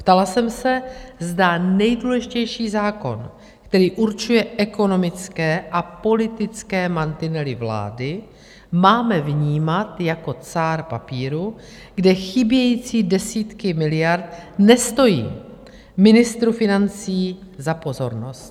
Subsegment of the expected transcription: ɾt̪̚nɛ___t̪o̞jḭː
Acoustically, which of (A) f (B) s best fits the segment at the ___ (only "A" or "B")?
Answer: B